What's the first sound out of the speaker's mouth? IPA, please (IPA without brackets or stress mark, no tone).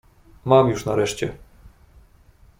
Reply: m